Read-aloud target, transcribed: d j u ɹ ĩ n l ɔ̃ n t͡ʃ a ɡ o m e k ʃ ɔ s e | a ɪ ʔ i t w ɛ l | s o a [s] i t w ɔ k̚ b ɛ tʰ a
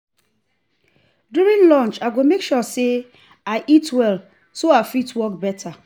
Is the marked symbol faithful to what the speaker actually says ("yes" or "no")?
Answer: no